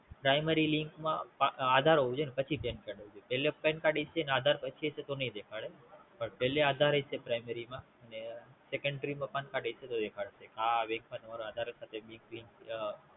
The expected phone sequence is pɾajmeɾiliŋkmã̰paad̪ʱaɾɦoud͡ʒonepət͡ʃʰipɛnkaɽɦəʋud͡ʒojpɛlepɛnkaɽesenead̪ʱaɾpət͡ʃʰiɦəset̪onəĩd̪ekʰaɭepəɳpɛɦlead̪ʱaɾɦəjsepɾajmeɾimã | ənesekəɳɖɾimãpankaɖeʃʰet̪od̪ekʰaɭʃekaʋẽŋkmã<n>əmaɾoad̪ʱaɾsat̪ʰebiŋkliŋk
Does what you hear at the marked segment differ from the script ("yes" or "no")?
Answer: no